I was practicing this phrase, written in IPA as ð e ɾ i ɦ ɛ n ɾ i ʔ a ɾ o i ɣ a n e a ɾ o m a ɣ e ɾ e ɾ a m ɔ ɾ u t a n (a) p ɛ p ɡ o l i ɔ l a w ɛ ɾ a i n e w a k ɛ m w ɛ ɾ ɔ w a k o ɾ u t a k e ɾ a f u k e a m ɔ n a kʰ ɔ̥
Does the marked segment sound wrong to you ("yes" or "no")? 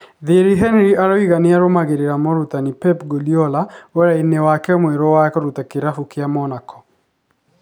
yes